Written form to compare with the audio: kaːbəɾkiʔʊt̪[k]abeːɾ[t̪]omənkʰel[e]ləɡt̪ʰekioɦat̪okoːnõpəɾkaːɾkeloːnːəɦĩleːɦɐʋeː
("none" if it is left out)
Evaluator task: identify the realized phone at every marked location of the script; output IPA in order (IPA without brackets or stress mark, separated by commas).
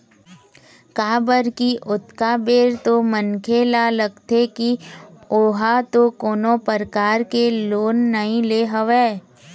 k, t̪, a